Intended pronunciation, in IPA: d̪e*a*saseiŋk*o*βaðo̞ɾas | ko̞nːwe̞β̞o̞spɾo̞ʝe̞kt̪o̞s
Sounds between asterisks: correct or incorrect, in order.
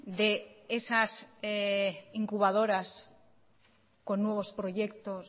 incorrect: e, incorrect: u

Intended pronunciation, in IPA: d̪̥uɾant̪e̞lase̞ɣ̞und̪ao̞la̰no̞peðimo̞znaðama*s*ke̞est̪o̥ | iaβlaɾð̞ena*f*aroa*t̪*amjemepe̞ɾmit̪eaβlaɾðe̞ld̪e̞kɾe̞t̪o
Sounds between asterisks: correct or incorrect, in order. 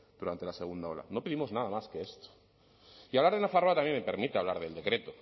correct, correct, correct

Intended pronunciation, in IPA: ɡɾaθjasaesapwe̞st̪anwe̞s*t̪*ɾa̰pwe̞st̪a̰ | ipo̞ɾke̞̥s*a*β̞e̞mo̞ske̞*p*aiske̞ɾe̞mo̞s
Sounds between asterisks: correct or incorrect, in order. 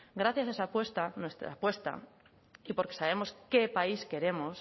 correct, correct, correct

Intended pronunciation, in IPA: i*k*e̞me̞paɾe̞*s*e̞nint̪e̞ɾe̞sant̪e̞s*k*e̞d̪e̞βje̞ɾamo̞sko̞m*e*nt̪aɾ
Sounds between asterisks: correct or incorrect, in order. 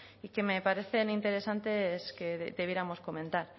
correct, incorrect: θ, correct, incorrect: ẽ

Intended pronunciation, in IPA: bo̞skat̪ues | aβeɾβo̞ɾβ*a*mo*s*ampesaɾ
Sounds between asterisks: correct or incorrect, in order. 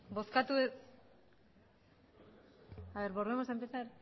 incorrect: e, correct

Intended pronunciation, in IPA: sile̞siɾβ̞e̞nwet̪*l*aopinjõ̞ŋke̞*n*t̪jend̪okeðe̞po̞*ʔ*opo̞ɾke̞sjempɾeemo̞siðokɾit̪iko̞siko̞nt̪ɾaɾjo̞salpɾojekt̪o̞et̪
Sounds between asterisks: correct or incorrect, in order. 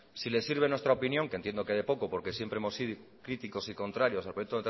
incorrect: ɾ, correct, incorrect: k

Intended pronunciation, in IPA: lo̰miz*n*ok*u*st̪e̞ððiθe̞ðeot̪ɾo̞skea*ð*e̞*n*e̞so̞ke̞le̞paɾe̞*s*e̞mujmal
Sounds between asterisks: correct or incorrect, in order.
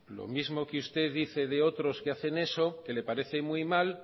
incorrect: m, correct, incorrect: θ, correct, incorrect: θ

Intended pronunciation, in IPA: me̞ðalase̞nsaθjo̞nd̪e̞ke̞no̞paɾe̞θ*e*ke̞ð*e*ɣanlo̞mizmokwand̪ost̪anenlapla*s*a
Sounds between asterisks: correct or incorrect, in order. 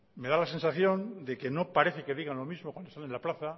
correct, incorrect: i, incorrect: θ

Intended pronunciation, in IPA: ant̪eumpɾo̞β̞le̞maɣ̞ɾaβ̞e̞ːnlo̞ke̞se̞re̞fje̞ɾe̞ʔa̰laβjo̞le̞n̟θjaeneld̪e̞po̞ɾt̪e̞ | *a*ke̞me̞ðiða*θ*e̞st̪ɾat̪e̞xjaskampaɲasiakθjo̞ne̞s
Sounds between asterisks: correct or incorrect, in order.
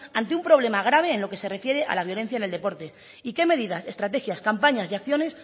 incorrect: i, incorrect: s

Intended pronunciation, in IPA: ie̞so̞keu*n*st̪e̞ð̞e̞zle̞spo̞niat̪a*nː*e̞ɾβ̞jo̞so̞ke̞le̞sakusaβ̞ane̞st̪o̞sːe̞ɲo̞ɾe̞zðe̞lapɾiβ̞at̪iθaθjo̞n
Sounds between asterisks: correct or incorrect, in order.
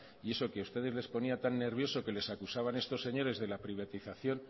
incorrect: none, correct

